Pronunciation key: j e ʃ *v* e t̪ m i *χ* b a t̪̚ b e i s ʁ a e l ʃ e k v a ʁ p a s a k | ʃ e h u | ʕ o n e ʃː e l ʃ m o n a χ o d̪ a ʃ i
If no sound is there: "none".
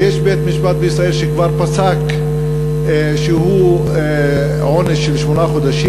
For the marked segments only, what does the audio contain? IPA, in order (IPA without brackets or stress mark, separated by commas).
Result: b, ʃ